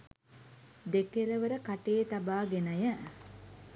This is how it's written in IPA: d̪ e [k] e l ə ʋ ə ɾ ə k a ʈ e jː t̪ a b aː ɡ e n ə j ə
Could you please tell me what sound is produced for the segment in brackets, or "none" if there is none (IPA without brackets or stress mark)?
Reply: k